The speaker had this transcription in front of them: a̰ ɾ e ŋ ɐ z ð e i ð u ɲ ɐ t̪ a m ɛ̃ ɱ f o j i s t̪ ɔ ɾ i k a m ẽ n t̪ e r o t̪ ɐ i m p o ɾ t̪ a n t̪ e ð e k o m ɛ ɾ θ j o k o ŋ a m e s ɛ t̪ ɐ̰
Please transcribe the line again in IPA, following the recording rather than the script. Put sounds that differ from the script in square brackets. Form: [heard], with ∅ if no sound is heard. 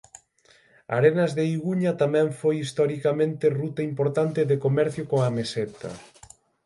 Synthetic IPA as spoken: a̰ ɾ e [n] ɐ z ð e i [ɣ] u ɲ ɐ t̪ a m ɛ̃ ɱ f o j i s t̪ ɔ ɾ i k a m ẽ n t̪ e r [u] t̪ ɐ i m p o ɾ t̪ a n t̪ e ð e k o m ɛ ɾ θ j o k o ŋ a m e s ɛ t̪ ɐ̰